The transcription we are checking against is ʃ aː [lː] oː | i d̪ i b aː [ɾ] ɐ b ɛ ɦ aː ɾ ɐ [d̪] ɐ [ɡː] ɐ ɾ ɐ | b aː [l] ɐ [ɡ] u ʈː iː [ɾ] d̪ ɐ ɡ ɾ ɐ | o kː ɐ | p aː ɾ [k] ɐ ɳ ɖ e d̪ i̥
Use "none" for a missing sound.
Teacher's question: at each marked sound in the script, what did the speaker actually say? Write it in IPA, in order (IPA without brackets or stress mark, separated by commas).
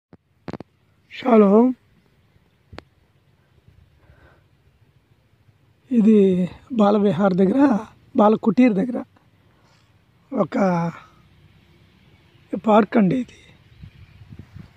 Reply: l, l, d̪, ɡ, l, k, ɾ, k